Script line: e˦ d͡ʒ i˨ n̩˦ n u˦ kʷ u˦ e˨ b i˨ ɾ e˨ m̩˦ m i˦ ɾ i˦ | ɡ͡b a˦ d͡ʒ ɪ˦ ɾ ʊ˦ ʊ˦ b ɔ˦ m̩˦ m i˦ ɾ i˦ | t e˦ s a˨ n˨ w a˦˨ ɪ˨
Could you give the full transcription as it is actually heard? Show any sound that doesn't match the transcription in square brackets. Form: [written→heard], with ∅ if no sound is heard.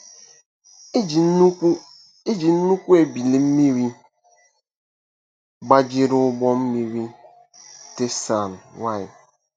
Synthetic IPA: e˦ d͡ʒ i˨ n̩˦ n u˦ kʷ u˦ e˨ b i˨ [ɾ→l] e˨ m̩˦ m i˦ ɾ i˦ | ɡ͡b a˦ d͡ʒ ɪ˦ ɾ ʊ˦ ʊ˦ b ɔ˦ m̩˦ m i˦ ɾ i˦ | t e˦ s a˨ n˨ w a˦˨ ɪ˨